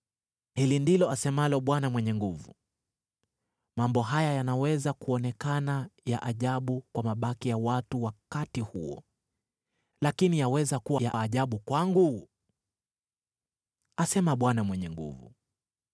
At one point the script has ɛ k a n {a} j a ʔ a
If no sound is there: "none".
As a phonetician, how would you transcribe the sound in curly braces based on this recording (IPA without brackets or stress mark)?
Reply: a